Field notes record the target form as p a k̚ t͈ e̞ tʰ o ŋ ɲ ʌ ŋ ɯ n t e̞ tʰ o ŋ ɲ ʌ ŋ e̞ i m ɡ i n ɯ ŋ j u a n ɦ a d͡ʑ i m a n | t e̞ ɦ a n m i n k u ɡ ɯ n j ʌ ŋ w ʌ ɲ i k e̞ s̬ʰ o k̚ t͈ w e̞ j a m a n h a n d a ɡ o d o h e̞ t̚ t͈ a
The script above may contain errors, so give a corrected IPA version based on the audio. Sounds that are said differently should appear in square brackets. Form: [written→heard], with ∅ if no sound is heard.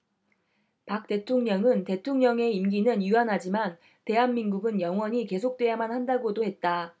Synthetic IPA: p a k̚ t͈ e̞ tʰ o ŋ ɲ ʌ ŋ ɯ n t e̞ tʰ o ŋ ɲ ʌ ŋ e̞ i m ɡ i n ɯ [ŋ→n] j u a n ɦ a d͡ʑ i m a n | t e̞ ɦ a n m i n [k→ɡ] u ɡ ɯ n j ʌ ŋ w ʌ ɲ i k e̞ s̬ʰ o k̚ t͈ w e̞ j a m a n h a n d a ɡ o d o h e̞ t̚ t͈ a